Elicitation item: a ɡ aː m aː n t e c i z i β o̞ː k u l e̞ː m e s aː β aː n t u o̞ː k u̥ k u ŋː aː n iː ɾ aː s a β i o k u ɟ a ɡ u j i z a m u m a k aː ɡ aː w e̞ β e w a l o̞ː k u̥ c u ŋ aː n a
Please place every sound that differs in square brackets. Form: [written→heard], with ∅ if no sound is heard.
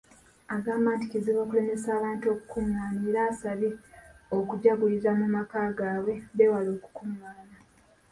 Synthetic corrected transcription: a ɡ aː m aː n t [e→i] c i z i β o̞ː k u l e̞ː m e s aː β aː n t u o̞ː k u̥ k u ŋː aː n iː ɾ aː s a β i o k u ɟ a ɡ u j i z a m u m a k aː ɡ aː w e̞ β e w a l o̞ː k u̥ [c→k] u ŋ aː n a